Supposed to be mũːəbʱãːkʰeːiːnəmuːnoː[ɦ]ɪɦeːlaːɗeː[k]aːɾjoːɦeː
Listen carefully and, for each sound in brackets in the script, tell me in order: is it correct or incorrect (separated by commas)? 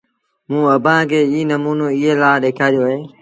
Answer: incorrect, incorrect